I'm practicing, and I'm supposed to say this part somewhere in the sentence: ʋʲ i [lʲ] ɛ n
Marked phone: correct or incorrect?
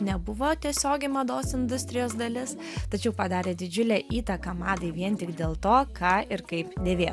incorrect